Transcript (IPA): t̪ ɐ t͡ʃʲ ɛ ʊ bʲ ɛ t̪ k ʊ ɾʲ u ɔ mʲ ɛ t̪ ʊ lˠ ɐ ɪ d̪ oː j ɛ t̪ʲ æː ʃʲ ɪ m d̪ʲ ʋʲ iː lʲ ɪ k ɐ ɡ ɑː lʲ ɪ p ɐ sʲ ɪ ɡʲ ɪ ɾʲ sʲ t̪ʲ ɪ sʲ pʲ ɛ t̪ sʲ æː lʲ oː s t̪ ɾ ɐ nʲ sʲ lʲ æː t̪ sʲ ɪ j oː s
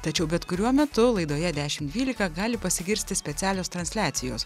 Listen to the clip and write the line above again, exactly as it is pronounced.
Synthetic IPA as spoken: t̪ ɐ t͡ʃʲ ɛ ʊ bʲ ɛ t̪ k ʊ ɾʲ u ɔ mʲ ɛ t̪ ʊ lˠ ɐ ɪ d̪ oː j ɛ d̪ʲ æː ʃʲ ɪ m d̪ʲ ʋʲ iː lʲ ɪ k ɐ ɡ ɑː lʲ ɪ p ɐ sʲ ɪ ɡʲ ɪ ɾʲ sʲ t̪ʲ ɪ sʲ pʲ ɛ t̪ sʲ æː lʲ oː s t̪ ɾ ɐ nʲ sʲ lʲ æː t̪ sʲ ɪ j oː s

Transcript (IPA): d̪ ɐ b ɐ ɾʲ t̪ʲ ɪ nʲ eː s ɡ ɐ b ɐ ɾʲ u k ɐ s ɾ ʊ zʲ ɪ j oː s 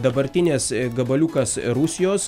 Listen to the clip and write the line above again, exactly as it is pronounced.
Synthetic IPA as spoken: d̪ ɐ b ɐ ɾʲ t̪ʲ ɪ nʲ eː s ɡ ɐ b ɐ lʲ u k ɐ s ɾ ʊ sʲ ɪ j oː s

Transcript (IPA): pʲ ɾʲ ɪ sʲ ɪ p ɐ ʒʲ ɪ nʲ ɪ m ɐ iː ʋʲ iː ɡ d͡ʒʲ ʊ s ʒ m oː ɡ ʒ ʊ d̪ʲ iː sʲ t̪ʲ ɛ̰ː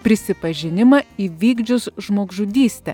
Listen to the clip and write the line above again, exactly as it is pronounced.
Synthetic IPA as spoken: pʲ ɾʲ ɪ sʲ ɪ p ɐ ʒʲ ɪ nʲ ɪ m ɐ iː ʋʲ iː ɡ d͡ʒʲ ʊ s ʒ m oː ɡ ʒ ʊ d̪ʲ iː sʲ t̪ʲ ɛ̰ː

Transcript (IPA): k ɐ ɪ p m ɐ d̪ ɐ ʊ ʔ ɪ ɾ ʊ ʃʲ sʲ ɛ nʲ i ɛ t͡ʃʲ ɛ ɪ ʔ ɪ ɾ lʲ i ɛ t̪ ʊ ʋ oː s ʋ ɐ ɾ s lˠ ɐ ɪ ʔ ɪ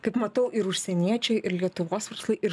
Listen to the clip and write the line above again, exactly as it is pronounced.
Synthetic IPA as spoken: k ɐ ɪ p m ɐ t̪ ɐ ʊ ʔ ɪ ɾ ʊ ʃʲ sʲ ɛ nʲ i ɛ t͡ʃʲ ɛ ɪ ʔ ɪ ɾ lʲ i ɛ t̪ ʊ ʋ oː s ʋ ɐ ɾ s lˠ ɐ ɪ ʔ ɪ

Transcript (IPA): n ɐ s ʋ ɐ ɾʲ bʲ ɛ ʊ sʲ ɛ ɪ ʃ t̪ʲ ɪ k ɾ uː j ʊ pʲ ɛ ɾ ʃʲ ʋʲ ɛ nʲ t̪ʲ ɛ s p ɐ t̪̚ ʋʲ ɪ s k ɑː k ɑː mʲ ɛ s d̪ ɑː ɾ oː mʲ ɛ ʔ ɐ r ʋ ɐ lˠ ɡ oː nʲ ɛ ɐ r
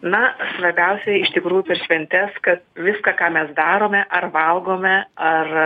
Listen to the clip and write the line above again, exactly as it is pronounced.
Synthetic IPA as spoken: n ɐ s ʋ ɐ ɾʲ bʲ ɛ ʊ sʲ ɛ ɪ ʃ t̪ʲ ɪ k ɾ uː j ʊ pʲ ɛ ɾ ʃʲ ʋʲ ɛ nʲ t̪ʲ ɛ s k ɐ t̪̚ ʋʲ ɪ s k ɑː k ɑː mʲ ɛ s d̪ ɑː ɾ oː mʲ ɛ ʔ ɐ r ʋ ɐ lˠ ɡ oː mʲ ɛ ɐ r

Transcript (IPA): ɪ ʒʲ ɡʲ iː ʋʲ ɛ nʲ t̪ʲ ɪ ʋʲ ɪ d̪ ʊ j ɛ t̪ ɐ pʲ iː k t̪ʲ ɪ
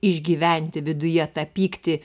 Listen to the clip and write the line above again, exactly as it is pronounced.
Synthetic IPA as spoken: ɪ ʒʲ ɡʲ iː ʋʲ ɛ nʲ t̪ʲ ɪ ʋʲ ɪ d̪ ʊ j ɛ t̪ ɐ pʲ iː k t̪ʲ ɪ

